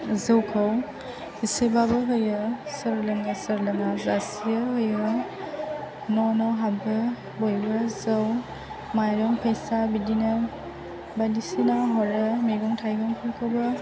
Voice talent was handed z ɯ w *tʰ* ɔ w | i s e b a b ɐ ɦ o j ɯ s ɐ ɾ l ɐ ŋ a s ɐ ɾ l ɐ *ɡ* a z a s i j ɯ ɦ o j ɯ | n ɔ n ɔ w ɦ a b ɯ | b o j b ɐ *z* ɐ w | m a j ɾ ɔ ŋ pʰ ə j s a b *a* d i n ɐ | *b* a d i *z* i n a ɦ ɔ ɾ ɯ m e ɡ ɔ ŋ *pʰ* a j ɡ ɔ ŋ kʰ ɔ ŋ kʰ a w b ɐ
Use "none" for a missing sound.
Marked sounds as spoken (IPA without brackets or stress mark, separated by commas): kʰ, ŋ, z, i, b, s, tʰ